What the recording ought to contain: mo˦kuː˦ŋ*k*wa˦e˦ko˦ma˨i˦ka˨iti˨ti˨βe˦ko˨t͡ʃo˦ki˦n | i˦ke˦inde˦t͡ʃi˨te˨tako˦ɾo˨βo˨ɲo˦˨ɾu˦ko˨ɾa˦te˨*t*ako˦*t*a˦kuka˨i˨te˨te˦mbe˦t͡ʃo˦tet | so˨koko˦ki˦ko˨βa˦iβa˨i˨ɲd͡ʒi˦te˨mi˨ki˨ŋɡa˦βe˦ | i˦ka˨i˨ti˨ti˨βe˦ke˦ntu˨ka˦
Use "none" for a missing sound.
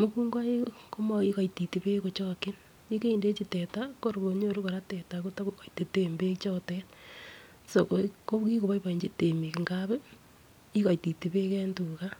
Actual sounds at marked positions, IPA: ɡ, t, t

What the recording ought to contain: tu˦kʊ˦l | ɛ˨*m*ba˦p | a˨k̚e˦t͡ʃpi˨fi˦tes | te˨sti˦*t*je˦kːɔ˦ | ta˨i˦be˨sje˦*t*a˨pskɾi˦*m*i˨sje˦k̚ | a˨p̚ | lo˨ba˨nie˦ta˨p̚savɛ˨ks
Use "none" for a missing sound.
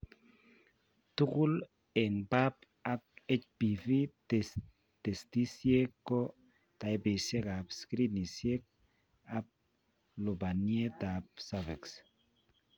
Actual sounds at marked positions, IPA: ŋ, s, k, n

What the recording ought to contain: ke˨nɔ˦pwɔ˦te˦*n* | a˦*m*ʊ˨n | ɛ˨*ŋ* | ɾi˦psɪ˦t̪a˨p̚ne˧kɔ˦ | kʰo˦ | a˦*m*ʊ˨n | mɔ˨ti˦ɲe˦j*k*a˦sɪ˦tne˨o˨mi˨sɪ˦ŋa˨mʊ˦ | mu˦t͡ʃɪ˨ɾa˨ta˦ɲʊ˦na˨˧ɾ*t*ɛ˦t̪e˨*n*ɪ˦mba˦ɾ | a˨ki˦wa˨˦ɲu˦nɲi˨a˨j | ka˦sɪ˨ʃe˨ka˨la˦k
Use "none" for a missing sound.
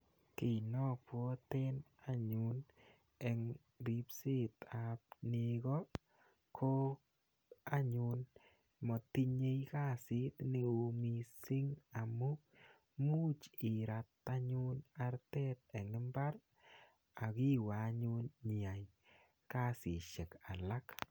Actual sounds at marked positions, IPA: n, ɲ, ŋ, ɲ, k, t, ŋ

